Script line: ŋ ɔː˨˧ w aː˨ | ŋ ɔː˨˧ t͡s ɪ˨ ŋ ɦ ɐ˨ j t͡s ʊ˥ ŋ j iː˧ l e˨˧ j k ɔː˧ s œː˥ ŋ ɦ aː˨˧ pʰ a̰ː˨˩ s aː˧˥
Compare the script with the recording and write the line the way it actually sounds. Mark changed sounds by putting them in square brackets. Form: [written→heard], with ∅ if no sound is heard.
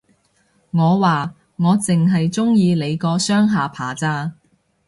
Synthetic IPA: ŋ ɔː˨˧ w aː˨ | ŋ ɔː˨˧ t͡s ɪ˨ ŋ ɦ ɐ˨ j t͡s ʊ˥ ŋ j iː˧ l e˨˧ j k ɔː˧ s œː˥ ŋ ɦ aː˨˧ pʰ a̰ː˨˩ [s→t͡s] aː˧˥

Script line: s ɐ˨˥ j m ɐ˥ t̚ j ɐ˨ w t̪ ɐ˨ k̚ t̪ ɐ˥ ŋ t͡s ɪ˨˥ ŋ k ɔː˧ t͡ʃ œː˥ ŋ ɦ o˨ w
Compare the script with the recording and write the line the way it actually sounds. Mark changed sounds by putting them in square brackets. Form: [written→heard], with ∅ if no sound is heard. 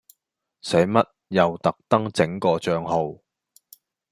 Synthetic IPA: s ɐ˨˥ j m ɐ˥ t̚ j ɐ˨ w t̪ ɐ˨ k̚ t̪ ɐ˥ ŋ t͡s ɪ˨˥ ŋ k ɔː˧ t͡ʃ [œː˥→œː˧] ŋ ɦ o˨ w

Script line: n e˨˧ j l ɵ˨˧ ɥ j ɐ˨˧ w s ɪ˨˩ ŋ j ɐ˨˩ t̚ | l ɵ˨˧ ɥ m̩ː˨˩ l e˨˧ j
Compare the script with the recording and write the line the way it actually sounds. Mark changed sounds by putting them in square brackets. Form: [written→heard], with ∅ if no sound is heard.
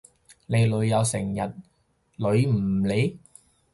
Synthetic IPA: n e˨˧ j l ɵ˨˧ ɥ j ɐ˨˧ w s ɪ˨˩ ŋ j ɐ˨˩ t̚ | l ɵ˨˧ ɥ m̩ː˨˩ l e˨˧ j

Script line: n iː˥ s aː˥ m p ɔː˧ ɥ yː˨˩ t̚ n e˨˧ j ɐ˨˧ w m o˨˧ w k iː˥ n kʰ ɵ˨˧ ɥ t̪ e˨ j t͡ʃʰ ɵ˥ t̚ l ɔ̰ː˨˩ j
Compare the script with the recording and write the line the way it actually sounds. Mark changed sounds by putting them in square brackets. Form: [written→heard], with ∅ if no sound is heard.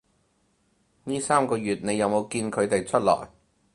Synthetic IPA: n iː˥ s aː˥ m [p→k] ɔː˧ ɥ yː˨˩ t̚ n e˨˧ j ɐ˨˧ w m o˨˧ w k [iː˥→iː˧] n kʰ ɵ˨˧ ɥ t̪ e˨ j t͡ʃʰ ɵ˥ t̚ l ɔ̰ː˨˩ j

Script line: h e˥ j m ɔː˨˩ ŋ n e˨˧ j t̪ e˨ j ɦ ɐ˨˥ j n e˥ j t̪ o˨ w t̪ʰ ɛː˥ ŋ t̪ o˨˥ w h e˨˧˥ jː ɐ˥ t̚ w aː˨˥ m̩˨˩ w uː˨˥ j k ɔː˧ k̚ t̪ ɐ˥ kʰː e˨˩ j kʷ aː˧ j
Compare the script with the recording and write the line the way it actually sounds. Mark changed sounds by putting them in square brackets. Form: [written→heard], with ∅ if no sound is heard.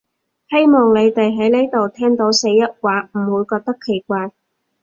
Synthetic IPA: h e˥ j m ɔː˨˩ ŋ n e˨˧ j t̪ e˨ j ɦ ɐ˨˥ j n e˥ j t̪ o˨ w t̪ʰ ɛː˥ ŋ t̪ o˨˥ w [h→s] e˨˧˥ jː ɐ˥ t̚ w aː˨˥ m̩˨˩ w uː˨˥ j k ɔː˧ k̚ t̪ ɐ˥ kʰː e˨˩ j kʷ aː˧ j

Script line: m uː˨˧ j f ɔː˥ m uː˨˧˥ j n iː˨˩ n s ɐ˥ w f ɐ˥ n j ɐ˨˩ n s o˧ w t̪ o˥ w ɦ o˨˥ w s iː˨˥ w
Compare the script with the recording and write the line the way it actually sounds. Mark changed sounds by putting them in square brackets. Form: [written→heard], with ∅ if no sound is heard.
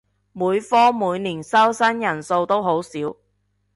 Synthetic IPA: m uː˨˧ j f ɔː˥ m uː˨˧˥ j n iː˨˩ n s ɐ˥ w [f→s] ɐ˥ n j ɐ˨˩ n s o˧ w t̪ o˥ w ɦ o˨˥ w s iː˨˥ w

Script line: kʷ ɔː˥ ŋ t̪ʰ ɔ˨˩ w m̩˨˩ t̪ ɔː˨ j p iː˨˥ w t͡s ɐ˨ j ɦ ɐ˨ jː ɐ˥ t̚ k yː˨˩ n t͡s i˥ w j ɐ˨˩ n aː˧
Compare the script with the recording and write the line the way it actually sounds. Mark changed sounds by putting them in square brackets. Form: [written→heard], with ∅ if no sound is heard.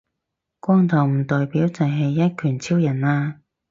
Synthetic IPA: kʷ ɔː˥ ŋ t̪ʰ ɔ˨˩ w m̩˨˩ t̪ ɔː˨ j p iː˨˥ w t͡s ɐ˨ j ɦ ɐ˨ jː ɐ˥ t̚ [k→kʰ] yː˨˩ n [t͡s→t͡sʰ] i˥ w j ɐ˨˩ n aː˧

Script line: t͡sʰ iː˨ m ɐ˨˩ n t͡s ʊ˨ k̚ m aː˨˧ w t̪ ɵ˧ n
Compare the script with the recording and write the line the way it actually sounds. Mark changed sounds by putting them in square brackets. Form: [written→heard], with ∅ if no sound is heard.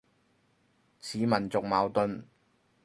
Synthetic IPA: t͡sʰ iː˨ m ɐ˨˩ n t͡s ʊ˨ k̚ m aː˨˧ w t̪ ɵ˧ n

